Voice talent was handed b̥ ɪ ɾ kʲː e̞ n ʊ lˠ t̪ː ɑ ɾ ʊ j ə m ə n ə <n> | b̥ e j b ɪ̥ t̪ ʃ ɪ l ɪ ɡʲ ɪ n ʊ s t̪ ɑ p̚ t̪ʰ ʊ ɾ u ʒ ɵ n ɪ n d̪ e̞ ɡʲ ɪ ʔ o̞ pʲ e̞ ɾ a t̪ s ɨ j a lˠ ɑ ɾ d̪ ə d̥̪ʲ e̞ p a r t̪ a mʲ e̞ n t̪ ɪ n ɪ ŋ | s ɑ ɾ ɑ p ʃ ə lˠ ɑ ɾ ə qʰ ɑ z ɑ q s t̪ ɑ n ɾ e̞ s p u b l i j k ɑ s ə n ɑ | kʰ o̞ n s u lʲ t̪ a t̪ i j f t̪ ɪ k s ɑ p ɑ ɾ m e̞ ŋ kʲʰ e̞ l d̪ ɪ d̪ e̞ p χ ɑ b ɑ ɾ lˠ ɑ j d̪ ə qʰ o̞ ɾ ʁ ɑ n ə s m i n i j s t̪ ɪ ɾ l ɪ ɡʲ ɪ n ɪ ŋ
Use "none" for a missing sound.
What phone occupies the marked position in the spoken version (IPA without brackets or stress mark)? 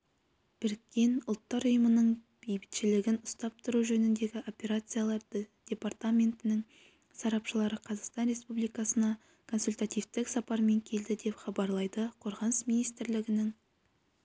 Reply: ɴ